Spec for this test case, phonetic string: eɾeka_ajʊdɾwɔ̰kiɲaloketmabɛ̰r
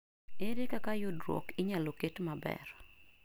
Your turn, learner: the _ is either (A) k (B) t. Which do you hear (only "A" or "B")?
A